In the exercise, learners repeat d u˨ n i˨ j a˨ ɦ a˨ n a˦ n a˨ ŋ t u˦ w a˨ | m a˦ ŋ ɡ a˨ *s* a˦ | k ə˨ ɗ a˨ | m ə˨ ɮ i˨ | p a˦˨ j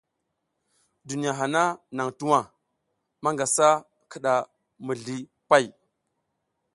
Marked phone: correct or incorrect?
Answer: correct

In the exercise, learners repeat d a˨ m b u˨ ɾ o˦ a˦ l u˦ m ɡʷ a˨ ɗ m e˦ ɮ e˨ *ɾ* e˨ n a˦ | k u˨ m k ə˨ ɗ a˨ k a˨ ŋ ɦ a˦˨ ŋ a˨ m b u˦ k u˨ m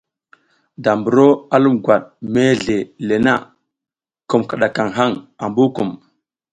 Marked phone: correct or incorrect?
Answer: incorrect: l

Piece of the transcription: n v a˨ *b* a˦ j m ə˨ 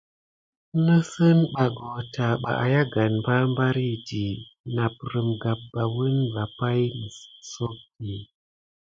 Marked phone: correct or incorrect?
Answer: incorrect: p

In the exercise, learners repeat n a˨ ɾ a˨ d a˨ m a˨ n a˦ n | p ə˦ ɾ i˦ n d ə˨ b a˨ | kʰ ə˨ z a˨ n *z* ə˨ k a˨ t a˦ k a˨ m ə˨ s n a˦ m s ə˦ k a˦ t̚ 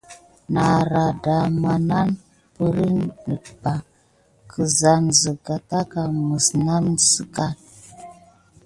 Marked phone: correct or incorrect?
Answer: correct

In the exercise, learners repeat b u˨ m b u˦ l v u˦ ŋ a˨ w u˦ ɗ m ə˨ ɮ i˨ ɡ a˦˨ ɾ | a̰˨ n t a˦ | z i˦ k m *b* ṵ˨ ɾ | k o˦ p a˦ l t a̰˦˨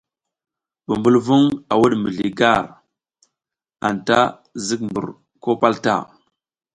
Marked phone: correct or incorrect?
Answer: correct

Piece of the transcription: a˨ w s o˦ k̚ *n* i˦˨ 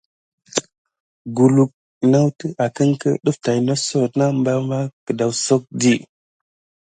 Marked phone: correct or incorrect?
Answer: incorrect: d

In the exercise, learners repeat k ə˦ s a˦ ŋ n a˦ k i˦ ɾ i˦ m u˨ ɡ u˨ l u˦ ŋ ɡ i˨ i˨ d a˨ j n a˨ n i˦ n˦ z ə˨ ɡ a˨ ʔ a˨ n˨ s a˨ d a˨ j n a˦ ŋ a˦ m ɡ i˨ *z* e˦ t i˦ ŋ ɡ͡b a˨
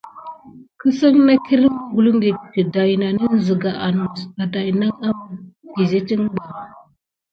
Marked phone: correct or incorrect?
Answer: correct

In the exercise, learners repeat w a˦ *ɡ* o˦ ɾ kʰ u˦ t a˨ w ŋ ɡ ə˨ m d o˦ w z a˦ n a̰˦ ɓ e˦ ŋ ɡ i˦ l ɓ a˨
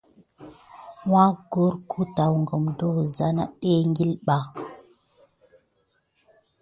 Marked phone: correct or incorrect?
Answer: correct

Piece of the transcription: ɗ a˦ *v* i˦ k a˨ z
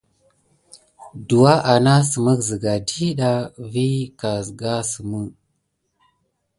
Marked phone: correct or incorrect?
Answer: correct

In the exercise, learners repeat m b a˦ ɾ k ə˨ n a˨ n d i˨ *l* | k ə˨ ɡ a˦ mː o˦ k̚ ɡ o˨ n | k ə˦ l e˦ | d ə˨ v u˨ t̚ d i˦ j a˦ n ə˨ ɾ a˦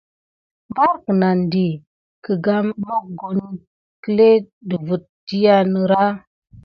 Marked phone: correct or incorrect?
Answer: incorrect: none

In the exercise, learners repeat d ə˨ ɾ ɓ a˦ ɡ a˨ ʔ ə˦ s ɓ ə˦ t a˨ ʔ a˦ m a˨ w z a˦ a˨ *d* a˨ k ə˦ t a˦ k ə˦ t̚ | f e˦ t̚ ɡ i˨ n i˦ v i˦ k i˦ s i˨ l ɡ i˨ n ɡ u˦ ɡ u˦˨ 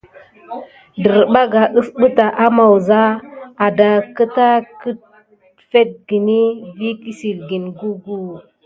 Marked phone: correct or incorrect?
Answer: correct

